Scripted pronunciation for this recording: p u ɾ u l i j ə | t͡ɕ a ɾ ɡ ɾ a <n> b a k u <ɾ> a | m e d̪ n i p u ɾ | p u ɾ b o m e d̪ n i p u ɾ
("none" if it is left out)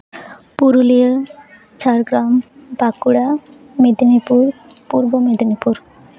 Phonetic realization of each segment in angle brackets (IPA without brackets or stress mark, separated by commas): m, ɽ